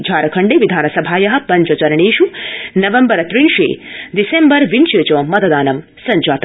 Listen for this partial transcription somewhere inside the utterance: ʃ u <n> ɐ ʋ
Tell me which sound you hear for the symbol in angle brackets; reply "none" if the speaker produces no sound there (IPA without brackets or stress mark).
n